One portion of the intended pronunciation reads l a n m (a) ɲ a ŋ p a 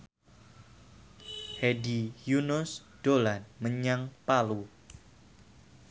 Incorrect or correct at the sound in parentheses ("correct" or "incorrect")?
incorrect